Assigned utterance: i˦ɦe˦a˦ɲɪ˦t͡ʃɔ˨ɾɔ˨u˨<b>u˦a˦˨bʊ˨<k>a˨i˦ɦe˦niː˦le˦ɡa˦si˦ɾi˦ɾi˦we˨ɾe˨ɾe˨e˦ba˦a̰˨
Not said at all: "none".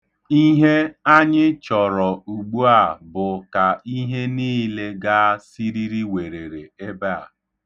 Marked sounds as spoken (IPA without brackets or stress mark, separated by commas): ɡ͡b, k